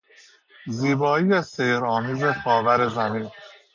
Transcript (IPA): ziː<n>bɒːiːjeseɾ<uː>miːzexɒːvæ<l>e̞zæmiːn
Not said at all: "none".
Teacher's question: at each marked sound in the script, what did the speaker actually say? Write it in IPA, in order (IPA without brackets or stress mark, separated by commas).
none, ɒː, ɾ